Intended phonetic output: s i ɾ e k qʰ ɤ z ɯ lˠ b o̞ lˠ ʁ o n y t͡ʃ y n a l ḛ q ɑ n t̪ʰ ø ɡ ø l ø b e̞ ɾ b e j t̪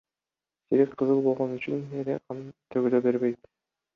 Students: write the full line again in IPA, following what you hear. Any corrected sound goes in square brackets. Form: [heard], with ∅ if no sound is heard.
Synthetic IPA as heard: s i ɾ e k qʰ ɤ z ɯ lˠ b o̞ lˠ ʁ o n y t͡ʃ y n [e] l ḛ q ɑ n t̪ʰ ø ɡ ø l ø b e̞ ɾ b e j t̪